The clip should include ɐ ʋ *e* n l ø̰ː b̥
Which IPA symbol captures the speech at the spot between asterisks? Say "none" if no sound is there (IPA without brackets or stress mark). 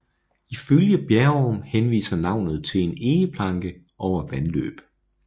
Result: æ